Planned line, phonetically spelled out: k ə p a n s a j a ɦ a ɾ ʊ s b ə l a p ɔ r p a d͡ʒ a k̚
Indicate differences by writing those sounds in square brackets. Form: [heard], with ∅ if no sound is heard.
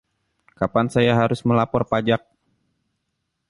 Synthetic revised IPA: k [a] p a n s a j a ɦ a ɾ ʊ s [m] ə l a p ɔ r p a d͡ʒ a k̚